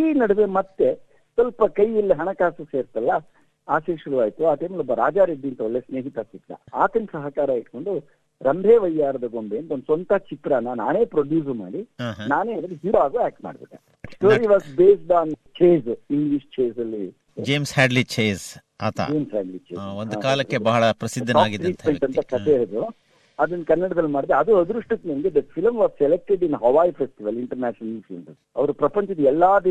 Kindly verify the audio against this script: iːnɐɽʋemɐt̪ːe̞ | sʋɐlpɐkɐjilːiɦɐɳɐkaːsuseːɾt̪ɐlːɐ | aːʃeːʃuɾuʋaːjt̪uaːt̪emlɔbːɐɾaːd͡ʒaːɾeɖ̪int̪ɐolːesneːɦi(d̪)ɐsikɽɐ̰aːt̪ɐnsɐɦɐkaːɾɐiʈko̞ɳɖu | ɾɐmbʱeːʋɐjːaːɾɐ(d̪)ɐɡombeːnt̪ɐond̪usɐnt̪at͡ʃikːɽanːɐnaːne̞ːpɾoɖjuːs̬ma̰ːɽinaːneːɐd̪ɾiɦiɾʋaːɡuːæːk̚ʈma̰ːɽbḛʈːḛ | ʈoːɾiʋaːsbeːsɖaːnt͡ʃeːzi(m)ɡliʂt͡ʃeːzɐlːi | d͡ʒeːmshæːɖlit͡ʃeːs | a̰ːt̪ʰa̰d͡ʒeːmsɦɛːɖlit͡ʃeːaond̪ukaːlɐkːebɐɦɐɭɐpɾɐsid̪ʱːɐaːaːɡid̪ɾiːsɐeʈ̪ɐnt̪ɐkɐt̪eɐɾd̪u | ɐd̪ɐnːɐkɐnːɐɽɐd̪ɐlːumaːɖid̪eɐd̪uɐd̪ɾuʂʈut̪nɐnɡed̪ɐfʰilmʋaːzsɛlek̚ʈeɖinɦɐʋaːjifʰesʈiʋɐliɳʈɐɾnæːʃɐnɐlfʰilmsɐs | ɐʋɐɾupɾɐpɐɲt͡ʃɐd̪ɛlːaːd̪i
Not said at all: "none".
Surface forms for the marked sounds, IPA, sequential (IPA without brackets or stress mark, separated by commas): t̪, d̪, ŋ